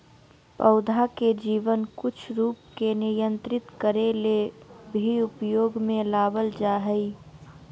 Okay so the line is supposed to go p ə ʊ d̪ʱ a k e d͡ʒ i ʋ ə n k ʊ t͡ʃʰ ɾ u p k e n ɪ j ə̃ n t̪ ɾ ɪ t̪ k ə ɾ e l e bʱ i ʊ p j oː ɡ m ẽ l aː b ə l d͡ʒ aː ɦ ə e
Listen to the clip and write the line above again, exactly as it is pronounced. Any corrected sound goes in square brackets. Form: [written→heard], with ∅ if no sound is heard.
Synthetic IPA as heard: p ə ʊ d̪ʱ a k e d͡ʒ [i→iː] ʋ ə n k ʊ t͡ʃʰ ɾ [u→uː] p k e n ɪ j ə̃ n t̪ ɾ ɪ t̪ k ə ɾ e l e bʱ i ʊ p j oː ɡ m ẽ l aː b ə l d͡ʒ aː ɦ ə [e→i]